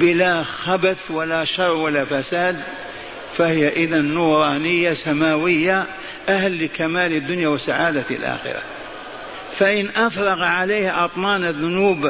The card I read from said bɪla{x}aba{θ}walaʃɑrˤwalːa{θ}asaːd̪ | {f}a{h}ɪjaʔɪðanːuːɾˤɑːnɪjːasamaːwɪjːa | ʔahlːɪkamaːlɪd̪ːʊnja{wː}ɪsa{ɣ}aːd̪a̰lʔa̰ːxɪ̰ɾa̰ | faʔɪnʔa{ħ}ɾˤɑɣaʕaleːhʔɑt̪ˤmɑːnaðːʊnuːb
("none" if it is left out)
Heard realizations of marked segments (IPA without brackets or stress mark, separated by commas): x, θ, f, f, h, w, ʕ, f